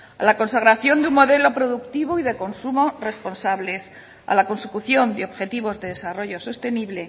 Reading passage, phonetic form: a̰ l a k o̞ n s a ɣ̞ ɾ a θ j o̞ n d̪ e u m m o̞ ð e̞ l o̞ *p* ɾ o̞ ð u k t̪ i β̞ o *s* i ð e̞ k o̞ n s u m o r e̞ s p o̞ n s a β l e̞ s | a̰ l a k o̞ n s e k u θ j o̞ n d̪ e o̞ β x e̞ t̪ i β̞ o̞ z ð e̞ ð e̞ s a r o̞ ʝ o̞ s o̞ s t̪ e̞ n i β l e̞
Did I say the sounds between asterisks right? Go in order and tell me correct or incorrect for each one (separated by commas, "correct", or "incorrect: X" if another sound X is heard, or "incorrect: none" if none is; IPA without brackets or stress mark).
correct, incorrect: none